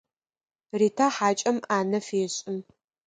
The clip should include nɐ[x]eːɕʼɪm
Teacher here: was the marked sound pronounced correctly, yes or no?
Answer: no